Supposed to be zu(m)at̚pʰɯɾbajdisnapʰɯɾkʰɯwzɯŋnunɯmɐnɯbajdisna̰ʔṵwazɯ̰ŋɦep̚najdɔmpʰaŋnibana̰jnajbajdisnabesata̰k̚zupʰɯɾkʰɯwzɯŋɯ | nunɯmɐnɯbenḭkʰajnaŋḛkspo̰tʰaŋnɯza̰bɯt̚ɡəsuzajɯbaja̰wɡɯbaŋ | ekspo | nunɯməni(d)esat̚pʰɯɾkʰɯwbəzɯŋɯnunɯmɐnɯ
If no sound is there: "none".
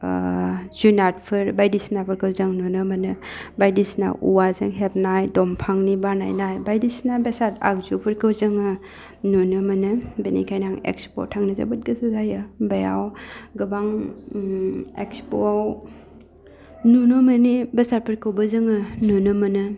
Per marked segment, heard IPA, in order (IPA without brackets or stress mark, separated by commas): n, b